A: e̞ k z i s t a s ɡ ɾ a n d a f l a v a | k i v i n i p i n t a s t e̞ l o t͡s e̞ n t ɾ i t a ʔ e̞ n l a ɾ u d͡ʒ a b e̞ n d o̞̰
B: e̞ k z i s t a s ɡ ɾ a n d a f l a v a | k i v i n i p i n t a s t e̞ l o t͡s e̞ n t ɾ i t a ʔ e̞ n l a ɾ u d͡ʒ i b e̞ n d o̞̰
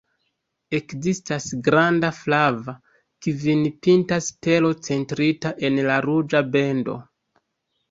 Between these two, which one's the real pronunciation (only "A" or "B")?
A